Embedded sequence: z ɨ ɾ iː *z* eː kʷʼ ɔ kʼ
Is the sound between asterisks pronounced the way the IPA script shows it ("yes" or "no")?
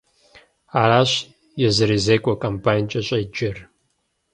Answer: yes